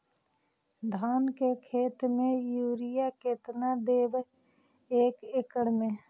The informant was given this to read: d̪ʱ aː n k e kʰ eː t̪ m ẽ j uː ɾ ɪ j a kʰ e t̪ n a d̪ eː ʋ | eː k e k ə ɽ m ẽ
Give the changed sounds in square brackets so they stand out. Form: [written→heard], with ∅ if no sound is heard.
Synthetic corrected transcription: d̪ʱ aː n k e kʰ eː t̪ m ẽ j uː ɾ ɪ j a [kʰ→k] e t̪ n a d̪ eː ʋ | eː k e k ə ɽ m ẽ